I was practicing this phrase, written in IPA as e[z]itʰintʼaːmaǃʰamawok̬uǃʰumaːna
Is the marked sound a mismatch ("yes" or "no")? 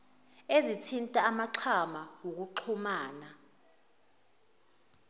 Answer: no